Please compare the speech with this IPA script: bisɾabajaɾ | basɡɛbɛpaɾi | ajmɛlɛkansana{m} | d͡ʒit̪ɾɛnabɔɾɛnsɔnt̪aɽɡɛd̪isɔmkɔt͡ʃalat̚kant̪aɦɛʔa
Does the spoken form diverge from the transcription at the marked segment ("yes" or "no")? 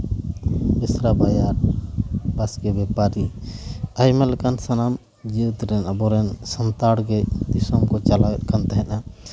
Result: no